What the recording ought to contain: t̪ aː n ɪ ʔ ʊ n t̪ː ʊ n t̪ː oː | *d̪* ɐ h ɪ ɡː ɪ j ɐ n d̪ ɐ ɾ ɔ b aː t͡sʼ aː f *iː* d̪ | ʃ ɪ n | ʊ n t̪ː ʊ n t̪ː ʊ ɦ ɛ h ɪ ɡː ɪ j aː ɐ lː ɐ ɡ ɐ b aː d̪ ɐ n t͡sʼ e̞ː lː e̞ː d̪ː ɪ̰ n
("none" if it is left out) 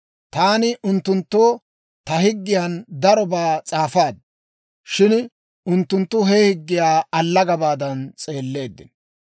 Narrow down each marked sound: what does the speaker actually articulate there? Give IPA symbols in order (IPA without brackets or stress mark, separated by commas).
t̪, aː